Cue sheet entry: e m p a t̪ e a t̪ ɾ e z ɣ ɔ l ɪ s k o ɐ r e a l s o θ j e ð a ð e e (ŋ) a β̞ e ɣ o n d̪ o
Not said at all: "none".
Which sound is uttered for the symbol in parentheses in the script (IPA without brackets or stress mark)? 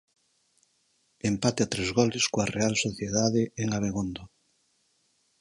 ŋ